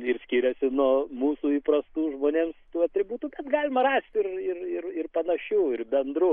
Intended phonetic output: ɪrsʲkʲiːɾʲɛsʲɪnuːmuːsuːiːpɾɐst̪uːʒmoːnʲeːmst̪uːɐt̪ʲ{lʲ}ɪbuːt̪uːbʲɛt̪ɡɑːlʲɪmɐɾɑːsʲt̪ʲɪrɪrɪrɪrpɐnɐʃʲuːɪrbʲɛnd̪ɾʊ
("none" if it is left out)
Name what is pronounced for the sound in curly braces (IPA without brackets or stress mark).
ɾʲ